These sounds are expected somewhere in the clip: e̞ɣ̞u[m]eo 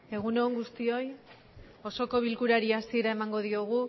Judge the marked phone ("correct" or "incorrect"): incorrect